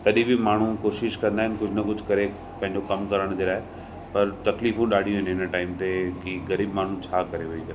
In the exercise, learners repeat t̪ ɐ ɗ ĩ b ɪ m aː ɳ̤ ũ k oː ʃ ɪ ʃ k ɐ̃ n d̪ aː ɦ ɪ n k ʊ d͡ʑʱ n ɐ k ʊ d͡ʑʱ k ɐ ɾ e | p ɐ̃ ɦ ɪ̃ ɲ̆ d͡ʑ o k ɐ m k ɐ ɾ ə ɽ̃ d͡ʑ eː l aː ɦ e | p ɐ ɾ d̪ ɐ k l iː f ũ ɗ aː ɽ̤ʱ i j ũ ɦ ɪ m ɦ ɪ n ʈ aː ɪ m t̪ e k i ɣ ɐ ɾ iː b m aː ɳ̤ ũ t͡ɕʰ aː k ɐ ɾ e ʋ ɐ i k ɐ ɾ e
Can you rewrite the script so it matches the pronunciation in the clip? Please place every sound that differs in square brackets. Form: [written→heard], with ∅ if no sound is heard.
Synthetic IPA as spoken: t̪ ɐ ɗ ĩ b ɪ m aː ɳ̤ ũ k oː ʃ ɪ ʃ k ɐ̃ n d̪ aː ɦ ɪ n k ʊ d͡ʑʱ n ɐ k ʊ d͡ʑʱ k ɐ ɾ e | p ɐ̃ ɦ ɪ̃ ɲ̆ d͡ʑ o k ɐ m k ɐ ɾ ə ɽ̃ d͡ʑ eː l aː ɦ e | p ɐ ɾ [d̪→t̪] ɐ k l iː f ũ ɗ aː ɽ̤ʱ i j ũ ɦ ɪ [m→n] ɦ ɪ n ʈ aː ɪ m t̪ e k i ɣ ɐ ɾ iː b m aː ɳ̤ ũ t͡ɕʰ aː k ɐ ɾ e ʋ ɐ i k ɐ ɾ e